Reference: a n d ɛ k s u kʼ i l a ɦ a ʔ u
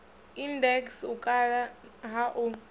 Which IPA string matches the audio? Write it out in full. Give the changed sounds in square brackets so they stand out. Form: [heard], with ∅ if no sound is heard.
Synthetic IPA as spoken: [i] n d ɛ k s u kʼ [a] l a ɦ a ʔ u